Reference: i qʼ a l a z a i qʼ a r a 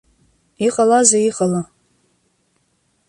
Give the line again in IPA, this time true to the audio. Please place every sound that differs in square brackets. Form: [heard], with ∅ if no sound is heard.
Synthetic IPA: i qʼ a l a z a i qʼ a [l] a